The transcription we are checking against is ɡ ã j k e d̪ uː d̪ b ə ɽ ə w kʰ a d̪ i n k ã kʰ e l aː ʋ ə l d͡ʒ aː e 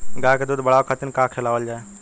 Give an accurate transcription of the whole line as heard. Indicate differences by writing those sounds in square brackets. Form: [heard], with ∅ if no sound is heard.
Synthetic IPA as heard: ɡ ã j k e d̪ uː d̪ b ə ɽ [a] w kʰ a [t̪] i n k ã kʰ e l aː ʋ ə l d͡ʒ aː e